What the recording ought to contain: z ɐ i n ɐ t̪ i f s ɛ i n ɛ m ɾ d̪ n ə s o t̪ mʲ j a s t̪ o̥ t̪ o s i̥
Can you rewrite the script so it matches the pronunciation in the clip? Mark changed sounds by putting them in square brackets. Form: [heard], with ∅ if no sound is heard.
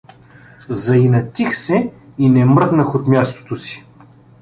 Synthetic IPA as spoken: z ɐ i n ɐ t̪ i [x] s ɛ i n ɛ m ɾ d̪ n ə [x] o t̪ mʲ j a s t̪ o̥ t̪ o s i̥